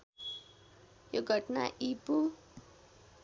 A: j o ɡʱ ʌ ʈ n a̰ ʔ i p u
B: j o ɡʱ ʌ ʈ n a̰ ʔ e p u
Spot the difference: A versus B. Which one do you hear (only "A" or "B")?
A